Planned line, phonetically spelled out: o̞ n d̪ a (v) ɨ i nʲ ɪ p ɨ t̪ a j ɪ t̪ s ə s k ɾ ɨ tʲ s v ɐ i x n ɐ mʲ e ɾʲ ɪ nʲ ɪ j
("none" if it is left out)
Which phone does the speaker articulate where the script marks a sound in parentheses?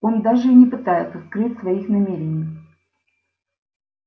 ʐ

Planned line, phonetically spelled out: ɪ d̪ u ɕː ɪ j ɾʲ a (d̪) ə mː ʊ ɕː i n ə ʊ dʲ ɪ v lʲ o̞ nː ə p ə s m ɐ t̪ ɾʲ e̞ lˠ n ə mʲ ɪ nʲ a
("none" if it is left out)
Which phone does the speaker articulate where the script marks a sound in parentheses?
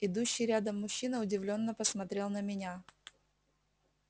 d̪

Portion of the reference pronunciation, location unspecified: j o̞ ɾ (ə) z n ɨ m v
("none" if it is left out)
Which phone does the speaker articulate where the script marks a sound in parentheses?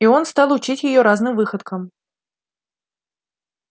a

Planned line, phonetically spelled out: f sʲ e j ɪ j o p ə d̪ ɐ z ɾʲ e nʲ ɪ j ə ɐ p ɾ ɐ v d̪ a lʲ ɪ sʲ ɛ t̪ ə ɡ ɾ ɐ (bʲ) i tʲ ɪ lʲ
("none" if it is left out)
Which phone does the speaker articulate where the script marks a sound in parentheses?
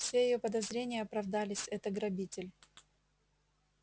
bʲ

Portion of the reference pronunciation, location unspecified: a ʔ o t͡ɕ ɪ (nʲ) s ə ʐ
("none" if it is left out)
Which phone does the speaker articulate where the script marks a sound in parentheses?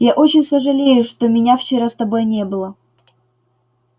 nʲ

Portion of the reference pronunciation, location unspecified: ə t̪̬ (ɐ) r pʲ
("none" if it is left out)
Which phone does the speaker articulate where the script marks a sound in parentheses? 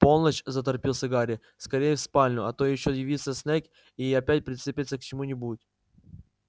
ɐ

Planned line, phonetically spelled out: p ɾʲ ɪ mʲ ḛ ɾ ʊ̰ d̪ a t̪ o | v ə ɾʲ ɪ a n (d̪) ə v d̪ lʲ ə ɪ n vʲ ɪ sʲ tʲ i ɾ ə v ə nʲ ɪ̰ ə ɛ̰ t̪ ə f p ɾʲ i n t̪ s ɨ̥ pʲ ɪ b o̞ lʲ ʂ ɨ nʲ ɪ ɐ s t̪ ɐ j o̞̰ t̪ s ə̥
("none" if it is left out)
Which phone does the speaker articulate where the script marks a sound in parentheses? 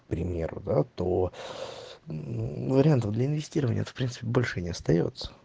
t̪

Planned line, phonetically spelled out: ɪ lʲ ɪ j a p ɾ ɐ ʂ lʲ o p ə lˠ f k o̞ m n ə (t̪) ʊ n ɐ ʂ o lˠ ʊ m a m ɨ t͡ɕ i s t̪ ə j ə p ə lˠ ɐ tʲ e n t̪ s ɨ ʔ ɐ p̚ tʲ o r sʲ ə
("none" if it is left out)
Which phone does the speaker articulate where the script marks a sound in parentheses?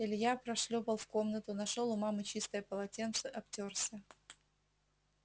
t̪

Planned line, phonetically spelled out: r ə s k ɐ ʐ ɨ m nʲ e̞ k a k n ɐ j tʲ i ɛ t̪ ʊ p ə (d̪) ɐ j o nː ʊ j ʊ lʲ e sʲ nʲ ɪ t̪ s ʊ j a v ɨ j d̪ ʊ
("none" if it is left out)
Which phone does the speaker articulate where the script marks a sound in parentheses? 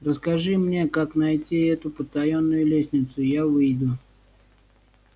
t̪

